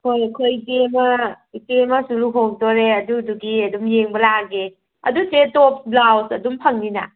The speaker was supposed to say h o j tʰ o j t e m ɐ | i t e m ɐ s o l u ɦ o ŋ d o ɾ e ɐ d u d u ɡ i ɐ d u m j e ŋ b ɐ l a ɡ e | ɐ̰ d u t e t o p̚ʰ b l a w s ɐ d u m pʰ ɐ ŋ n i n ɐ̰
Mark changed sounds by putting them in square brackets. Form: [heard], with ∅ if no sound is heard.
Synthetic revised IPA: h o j [kʰ] o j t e m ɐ | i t e m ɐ s [u] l u ɦ o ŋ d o ɾ e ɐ d u d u ɡ i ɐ d u m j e ŋ b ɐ l a ɡ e | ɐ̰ d u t e t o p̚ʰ b l a w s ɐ d u m pʰ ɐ ŋ n i n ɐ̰